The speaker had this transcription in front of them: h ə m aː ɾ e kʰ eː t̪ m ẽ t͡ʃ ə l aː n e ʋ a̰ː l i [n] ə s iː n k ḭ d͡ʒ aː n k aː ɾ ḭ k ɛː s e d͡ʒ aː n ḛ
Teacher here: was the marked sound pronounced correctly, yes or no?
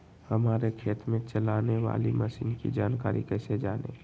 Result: no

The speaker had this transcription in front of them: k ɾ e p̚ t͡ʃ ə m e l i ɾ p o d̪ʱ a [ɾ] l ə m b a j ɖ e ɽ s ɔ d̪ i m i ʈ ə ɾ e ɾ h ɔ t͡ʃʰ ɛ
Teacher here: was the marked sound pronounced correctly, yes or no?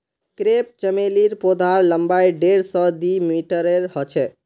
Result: yes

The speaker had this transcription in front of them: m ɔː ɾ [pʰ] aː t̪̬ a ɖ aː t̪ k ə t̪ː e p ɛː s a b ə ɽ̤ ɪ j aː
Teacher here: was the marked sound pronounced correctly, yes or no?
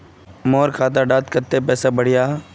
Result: no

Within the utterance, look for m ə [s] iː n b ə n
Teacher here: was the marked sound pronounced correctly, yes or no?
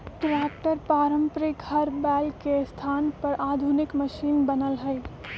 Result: no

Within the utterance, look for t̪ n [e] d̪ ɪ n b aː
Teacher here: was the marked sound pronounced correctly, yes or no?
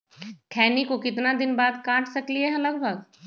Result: no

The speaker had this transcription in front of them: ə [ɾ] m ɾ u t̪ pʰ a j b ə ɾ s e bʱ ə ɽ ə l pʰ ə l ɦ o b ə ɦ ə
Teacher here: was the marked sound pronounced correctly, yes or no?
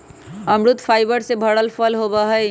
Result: no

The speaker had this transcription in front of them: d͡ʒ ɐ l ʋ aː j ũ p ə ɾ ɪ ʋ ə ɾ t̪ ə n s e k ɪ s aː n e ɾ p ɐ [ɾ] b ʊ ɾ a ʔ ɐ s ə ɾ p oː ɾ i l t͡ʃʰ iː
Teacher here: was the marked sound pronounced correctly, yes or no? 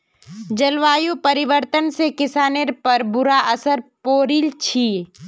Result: yes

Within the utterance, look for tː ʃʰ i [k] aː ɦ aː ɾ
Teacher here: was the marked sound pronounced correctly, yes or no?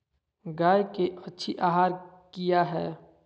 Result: no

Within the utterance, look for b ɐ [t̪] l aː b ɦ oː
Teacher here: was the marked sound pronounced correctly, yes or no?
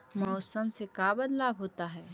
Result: no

